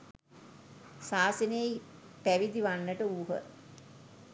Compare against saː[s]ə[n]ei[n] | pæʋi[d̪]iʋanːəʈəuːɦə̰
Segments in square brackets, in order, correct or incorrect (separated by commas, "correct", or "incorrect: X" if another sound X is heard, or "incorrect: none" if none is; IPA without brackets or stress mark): correct, correct, incorrect: none, correct